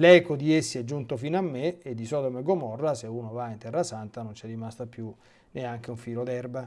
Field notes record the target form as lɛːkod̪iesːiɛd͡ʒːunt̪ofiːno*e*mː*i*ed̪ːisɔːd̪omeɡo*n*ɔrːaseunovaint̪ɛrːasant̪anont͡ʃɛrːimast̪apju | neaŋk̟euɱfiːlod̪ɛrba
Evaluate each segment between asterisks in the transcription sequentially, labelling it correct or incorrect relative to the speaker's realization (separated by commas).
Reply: incorrect, incorrect, incorrect